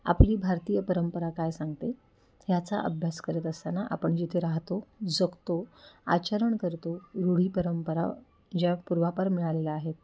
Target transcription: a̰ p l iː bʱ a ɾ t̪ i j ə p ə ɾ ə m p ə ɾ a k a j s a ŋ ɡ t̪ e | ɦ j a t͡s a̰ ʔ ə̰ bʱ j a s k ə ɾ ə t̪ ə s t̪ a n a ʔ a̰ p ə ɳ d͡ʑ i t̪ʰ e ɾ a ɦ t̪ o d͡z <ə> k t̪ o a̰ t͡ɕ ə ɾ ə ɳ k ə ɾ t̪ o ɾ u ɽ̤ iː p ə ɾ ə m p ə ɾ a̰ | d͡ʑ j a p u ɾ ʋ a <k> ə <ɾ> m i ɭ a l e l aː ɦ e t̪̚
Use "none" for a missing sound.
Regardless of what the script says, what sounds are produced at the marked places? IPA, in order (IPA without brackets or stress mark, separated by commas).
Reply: ə, p, ɾ